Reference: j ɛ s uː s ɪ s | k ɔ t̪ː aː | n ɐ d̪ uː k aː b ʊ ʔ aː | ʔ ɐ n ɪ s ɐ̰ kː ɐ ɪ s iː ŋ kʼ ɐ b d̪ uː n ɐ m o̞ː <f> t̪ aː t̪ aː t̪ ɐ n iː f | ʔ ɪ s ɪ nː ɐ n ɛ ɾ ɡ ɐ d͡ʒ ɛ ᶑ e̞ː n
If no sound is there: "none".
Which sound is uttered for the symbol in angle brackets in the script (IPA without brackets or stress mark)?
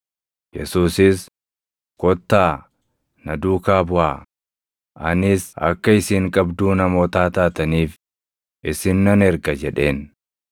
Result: none